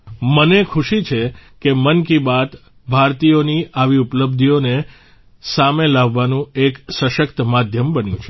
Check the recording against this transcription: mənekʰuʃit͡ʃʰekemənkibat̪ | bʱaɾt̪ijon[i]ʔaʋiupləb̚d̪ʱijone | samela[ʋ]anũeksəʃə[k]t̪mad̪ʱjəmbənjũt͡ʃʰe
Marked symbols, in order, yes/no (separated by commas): yes, no, yes